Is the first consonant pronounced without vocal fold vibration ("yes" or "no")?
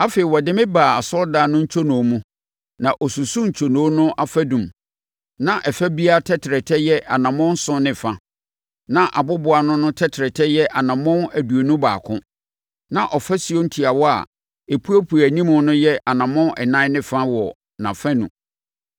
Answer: yes